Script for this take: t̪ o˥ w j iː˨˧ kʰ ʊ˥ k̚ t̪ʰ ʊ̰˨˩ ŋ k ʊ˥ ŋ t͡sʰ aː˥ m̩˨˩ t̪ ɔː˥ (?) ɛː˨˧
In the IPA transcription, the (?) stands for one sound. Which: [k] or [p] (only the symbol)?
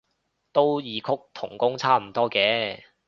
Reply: k